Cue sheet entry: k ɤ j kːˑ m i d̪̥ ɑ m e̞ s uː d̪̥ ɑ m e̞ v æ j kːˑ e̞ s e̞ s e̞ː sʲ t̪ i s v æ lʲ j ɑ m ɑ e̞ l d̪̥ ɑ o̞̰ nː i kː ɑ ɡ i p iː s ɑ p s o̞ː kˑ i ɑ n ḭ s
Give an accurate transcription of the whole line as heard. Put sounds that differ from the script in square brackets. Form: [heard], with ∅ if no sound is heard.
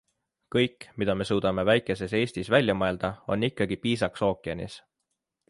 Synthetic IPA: k ɤ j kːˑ m i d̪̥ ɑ m e̞ s uː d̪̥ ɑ m e̞ v æ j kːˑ e̞ s e̞ s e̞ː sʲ t̪ i s v æ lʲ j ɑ m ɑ e̞ l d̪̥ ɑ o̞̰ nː i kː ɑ ɡ i p iː s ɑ [k] s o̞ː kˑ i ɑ n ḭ s